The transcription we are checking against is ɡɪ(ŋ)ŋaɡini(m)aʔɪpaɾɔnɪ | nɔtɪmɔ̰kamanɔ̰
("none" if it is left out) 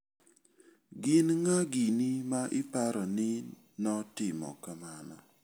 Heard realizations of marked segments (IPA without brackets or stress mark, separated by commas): n, m